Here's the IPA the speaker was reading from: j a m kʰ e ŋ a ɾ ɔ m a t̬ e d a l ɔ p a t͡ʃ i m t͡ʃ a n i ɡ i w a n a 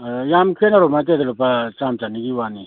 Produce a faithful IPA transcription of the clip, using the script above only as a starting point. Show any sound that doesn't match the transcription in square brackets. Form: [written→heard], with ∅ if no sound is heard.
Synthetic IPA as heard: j a m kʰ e [ŋ→n] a ɾ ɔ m a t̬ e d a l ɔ p a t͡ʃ [i→a] m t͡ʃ a n i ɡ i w a n [a→i]